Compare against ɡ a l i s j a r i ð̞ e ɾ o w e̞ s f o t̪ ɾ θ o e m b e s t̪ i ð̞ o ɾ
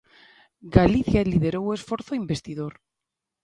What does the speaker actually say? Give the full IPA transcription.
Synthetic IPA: ɡ a l i θ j a l i ð̞ e ɾ o w e̞ s f o ɾ θ o i m b e s t̪ i ð̞ o ɾ